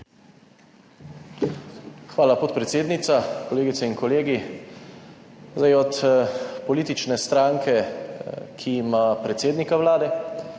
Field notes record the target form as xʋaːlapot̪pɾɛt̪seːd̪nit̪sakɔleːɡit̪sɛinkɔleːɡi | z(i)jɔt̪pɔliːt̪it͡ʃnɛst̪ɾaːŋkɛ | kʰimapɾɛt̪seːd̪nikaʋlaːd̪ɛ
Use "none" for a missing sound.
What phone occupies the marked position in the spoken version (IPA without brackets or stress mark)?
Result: a